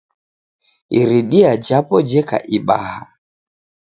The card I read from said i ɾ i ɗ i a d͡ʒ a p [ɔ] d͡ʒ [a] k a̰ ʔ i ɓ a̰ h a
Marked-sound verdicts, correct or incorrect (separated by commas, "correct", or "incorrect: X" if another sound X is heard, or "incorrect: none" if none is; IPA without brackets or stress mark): correct, incorrect: ɛ